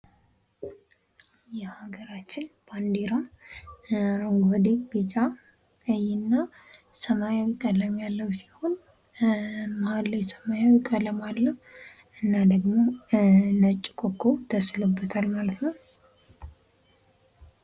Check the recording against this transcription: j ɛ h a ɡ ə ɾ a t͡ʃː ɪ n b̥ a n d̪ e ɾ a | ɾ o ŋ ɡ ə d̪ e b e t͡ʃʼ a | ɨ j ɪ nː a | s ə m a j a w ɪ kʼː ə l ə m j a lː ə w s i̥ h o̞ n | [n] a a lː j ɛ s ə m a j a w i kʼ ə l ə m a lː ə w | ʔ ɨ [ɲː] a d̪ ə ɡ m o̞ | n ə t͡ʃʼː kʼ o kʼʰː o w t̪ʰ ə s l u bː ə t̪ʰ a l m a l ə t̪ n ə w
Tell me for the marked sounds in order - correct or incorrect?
incorrect: m, incorrect: nː

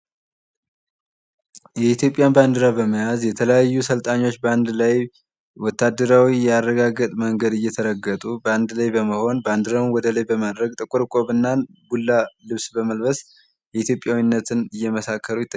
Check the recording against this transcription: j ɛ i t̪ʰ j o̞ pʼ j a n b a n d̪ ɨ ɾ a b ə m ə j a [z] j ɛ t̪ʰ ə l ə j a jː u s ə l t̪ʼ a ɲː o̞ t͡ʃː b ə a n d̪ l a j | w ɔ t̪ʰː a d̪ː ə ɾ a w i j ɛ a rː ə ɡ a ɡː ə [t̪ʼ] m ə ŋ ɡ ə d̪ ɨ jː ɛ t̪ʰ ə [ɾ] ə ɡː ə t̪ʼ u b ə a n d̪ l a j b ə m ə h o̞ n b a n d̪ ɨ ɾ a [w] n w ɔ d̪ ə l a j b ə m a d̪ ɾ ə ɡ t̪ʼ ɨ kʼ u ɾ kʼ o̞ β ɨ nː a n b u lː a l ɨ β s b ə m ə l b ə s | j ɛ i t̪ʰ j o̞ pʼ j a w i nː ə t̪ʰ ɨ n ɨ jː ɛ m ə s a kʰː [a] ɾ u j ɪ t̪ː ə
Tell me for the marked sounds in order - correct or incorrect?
correct, correct, correct, correct, incorrect: ə

